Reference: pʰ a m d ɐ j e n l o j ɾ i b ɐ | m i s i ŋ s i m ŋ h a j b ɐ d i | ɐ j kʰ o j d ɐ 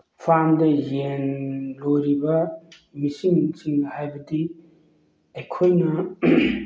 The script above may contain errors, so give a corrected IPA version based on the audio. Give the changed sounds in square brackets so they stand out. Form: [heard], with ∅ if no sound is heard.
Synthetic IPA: pʰ a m d ɐ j e n l o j ɾ i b ɐ | m i s i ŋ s i [∅] ŋ h a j b ɐ d i | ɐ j kʰ o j [n] ɐ